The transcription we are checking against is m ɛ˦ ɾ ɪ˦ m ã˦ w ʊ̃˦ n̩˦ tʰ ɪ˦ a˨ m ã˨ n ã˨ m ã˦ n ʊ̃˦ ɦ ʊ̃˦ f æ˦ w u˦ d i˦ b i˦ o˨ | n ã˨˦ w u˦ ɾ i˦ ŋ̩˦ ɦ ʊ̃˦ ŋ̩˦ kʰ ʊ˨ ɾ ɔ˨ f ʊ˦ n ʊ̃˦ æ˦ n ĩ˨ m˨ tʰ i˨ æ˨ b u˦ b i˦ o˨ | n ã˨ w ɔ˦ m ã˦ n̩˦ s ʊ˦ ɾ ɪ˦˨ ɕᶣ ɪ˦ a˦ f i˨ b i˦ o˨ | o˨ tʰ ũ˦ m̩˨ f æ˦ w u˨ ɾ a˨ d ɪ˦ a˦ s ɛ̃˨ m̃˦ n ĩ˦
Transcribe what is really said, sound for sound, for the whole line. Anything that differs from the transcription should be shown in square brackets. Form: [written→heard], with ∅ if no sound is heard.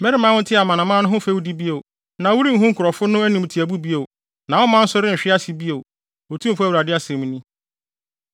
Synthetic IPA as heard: m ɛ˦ ɾ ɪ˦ m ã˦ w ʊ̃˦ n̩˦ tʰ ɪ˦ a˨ m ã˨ n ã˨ m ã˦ n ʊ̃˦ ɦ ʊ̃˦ f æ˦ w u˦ d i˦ b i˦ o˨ | n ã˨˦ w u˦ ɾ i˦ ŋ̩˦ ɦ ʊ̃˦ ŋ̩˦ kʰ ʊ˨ ɾ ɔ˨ f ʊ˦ n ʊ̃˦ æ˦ n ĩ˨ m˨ tʰ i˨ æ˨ b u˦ b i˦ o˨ | n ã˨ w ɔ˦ m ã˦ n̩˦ s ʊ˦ ɾ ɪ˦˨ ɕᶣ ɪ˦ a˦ [f→s] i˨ b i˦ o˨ | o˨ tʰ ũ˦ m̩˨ f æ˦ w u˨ ɾ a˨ d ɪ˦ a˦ s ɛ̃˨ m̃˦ n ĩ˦